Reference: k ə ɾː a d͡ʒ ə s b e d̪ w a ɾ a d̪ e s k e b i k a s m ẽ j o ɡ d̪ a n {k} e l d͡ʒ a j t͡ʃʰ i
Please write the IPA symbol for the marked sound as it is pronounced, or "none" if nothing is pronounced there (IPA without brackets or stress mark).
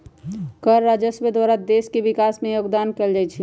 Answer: k